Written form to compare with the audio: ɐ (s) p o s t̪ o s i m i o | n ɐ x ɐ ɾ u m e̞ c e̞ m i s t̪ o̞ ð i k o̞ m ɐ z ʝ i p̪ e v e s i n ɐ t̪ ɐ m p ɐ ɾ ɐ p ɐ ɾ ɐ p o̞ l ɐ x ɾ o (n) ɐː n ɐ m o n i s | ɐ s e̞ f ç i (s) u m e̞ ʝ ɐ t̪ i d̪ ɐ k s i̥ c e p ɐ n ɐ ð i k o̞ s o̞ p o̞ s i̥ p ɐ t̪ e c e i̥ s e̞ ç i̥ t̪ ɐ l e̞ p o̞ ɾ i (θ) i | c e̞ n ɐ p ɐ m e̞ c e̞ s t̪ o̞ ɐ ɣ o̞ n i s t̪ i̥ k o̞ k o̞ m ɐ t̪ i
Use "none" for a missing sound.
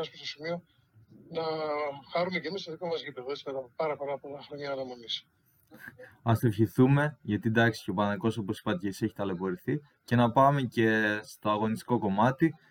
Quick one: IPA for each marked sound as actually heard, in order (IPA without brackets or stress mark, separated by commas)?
s, ɲ, θ, θ